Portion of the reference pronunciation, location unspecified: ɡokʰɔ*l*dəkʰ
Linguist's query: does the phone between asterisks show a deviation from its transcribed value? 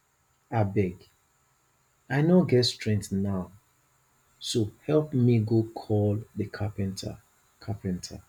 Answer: no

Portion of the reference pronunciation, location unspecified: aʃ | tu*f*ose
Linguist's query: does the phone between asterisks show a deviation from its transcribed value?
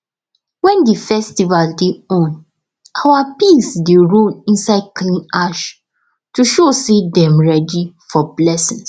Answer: yes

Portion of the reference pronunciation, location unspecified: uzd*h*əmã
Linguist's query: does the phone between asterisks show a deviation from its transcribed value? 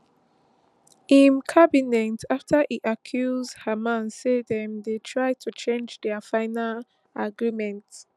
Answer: no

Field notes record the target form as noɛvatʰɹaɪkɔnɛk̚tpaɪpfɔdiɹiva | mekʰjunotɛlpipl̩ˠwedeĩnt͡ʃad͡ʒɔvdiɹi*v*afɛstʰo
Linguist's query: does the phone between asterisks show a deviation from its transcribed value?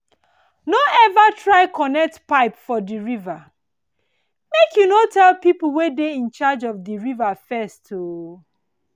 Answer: no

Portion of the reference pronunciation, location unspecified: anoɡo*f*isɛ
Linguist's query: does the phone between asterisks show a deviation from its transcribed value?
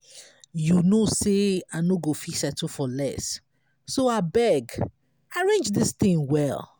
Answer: no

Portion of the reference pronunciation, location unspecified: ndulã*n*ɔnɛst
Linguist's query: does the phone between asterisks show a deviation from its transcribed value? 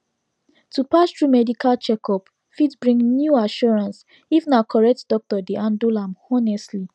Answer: yes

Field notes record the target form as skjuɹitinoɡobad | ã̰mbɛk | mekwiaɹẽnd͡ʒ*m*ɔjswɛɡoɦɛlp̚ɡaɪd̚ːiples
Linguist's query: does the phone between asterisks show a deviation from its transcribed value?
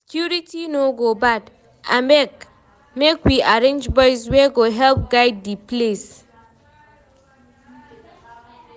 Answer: yes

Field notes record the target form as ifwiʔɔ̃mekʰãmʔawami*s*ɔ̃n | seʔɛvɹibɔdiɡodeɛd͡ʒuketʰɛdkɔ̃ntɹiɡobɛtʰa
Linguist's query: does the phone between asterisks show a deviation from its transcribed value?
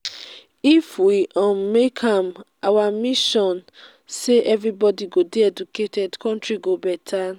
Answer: yes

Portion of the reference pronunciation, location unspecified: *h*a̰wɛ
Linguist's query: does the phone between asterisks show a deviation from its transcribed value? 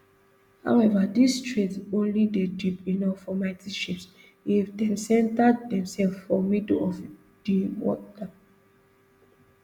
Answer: no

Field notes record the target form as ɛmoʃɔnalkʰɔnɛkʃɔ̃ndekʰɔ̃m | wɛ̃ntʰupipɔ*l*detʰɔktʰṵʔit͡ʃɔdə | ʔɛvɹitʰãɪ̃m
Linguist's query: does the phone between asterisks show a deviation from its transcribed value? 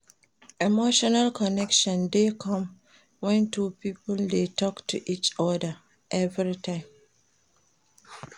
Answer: no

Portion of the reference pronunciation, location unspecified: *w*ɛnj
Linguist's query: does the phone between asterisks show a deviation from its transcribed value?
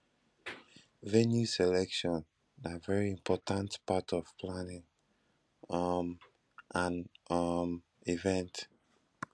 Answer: yes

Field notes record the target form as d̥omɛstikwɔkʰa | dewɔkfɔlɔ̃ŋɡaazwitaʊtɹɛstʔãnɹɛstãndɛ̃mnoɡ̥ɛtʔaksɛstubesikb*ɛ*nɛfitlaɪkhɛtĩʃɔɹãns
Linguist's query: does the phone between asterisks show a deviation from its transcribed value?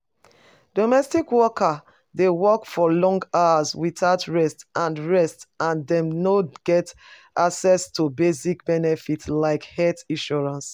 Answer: no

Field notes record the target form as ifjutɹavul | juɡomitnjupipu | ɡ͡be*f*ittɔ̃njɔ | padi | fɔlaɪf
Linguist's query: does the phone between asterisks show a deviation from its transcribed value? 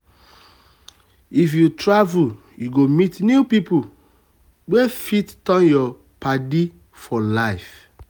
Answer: no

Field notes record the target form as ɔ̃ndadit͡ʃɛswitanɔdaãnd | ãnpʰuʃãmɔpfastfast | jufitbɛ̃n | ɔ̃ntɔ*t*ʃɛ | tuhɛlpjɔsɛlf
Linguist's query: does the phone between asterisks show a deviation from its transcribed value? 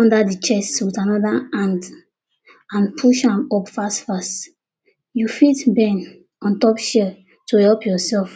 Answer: yes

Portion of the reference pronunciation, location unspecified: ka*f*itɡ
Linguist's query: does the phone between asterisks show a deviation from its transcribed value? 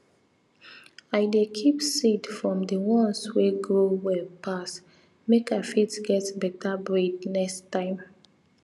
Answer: no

